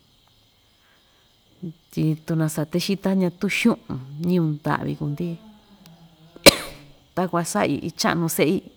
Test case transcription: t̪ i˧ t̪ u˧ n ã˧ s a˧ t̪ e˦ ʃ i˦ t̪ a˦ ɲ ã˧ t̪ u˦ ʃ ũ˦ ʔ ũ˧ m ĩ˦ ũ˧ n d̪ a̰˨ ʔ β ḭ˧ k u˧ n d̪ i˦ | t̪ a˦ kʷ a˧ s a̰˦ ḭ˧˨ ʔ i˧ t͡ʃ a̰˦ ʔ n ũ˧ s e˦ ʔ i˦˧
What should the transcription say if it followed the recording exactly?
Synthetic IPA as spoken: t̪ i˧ t̪ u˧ n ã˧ s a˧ t̪ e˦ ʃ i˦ t̪ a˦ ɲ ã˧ t̪ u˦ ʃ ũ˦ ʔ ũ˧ ɲ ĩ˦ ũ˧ n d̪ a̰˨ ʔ β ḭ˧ k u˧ n d̪ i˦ | t̪ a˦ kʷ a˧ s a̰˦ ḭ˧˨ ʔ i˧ t͡ʃ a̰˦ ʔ n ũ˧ s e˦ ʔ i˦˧

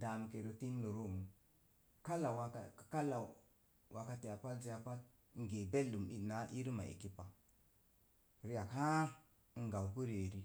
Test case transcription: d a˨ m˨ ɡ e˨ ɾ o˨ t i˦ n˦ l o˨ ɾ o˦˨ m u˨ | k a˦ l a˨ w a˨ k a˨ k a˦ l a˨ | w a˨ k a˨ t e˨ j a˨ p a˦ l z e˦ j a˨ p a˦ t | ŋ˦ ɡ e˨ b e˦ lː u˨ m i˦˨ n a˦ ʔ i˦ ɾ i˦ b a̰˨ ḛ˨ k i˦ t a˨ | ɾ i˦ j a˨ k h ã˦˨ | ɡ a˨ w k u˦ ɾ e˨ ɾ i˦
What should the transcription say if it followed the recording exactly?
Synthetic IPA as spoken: d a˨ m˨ k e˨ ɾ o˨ t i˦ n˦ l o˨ ɾ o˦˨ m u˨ | k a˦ l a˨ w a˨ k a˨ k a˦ l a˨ | w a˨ k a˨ t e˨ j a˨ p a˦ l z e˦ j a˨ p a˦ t | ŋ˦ ɡ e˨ b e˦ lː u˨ m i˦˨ n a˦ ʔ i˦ ɾ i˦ m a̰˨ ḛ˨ k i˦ p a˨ | ɾ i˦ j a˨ k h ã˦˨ | ɡ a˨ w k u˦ ɾ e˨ ɾ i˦

